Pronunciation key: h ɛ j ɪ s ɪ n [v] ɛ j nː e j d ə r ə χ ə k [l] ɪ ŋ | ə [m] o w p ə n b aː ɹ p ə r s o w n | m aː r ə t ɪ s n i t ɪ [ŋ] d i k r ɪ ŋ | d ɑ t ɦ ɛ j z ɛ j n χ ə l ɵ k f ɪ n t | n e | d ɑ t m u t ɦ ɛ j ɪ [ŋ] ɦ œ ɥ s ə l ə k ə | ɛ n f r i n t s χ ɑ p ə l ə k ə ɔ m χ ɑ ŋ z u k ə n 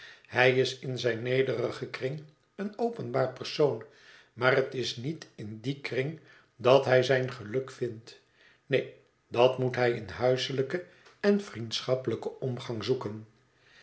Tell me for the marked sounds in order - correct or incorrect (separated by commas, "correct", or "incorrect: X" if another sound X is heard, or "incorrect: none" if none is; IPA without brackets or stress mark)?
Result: incorrect: z, incorrect: r, incorrect: n, incorrect: n, incorrect: n